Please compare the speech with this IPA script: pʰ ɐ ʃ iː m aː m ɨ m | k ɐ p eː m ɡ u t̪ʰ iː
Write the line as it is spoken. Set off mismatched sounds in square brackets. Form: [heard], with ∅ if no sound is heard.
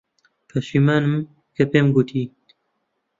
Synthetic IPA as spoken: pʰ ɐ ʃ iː m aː [n] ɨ m | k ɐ p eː m ɡ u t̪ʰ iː